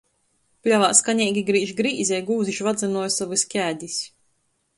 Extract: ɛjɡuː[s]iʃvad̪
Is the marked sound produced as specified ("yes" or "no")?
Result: no